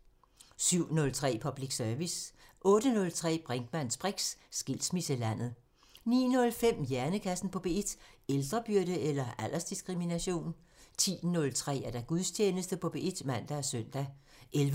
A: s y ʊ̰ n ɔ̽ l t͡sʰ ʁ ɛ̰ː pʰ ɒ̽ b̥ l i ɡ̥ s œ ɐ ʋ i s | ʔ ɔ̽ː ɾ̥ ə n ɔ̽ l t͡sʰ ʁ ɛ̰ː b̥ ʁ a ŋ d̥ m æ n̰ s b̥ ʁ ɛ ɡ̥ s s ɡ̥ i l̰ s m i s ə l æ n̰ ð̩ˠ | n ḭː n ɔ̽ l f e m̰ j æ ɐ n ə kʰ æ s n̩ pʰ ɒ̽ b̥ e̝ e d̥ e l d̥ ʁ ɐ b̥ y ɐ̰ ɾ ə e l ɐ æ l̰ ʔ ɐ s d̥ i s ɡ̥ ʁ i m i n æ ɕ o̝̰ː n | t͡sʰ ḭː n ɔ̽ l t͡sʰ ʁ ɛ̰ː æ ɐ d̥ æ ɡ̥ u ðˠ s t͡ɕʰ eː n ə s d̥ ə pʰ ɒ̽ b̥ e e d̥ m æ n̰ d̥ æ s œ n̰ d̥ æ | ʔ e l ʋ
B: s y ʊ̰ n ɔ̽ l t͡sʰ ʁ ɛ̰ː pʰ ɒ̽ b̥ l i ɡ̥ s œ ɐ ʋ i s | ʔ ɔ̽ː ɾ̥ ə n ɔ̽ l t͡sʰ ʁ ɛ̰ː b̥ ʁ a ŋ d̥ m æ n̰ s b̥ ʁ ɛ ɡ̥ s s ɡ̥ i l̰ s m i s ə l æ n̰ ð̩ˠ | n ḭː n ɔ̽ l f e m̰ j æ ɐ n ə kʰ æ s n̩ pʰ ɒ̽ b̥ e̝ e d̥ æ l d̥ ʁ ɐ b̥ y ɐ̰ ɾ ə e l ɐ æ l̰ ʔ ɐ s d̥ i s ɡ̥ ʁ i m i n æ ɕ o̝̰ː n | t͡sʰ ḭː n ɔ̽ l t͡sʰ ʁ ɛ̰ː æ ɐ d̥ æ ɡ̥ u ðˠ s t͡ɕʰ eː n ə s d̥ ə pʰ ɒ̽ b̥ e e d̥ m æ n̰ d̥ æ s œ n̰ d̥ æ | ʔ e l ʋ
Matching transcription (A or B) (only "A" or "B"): A